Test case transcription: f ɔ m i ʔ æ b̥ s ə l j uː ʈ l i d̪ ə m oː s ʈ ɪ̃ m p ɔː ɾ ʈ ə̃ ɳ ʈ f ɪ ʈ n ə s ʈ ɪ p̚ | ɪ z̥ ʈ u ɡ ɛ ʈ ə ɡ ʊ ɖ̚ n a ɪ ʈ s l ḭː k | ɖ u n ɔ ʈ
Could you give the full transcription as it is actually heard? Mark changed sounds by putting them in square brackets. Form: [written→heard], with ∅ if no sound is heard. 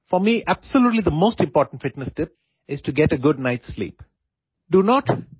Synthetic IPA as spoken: f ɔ m i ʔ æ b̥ s ə l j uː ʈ l i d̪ ə m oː s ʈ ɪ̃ m p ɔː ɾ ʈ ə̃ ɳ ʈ f ɪ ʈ n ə s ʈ ɪ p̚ | ɪ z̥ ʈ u ɡ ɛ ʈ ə ɡ ʊ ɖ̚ n a ɪ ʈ s l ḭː [k→p] | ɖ u n ɔ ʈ